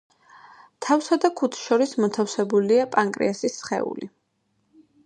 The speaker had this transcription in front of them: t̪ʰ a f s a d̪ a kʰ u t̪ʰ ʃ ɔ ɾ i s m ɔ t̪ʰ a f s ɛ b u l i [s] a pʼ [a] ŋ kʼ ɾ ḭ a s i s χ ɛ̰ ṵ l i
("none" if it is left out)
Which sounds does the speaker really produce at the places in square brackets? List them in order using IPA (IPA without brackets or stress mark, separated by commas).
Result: none, a